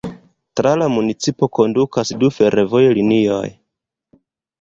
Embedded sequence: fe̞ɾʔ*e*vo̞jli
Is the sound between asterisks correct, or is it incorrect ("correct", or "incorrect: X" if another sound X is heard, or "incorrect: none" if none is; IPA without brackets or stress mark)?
correct